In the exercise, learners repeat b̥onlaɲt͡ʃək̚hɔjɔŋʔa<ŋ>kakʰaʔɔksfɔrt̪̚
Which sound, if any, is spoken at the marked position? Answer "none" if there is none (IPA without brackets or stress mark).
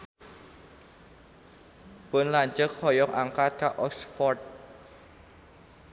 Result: ŋ